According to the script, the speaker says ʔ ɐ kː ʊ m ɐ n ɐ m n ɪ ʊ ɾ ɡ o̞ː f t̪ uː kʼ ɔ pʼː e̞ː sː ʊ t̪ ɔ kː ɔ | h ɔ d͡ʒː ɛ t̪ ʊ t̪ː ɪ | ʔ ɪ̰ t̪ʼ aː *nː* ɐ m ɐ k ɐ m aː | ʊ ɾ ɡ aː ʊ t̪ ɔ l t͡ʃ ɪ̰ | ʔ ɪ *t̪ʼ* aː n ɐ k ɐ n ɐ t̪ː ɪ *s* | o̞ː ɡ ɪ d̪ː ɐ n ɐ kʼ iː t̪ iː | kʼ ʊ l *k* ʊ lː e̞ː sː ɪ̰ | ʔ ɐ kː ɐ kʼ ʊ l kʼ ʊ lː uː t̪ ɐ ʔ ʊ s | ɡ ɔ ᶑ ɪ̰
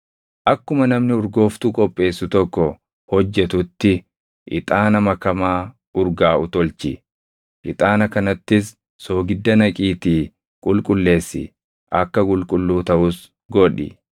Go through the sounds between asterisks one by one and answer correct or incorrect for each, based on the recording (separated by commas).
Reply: incorrect, correct, incorrect, incorrect